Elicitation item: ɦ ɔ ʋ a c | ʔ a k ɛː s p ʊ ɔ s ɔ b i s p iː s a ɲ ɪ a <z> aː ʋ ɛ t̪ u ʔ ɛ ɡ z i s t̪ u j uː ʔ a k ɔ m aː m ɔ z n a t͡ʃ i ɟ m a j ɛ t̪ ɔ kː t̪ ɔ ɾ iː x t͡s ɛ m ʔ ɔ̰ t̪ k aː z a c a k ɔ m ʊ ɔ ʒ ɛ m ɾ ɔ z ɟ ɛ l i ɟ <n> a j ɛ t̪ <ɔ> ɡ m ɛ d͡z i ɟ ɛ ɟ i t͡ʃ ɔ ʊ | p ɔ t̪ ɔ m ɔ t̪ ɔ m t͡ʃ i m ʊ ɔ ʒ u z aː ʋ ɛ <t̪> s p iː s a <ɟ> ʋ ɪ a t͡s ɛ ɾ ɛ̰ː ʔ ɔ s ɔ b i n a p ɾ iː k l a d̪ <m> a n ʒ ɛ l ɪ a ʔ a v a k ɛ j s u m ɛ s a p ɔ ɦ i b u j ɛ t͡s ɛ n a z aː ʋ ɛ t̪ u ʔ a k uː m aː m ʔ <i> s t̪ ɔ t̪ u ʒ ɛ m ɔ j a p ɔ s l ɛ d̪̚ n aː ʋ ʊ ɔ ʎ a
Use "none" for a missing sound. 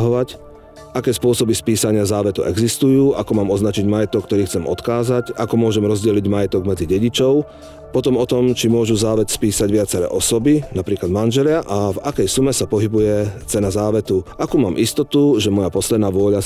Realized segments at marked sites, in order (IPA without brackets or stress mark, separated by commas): z, m, ɔ, t̪, ɟ, m, i